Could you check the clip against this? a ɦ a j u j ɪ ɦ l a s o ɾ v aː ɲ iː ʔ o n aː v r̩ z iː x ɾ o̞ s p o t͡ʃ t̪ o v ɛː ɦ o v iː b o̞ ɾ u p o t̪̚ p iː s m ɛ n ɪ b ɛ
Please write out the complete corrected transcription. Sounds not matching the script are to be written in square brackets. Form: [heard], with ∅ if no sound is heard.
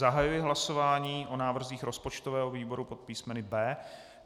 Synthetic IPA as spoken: a ɦ a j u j ɪ ɦ l a s o [∅] v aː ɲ iː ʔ o n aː v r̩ z iː x ɾ o̞ s p o t͡ʃ t̪ o v ɛː ɦ o v iː b o̞ ɾ u p o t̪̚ p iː s m ɛ n ɪ b [ɛː]